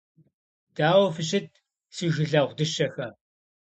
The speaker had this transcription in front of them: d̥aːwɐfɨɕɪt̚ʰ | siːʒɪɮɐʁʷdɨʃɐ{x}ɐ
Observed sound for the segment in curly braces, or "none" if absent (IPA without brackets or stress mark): x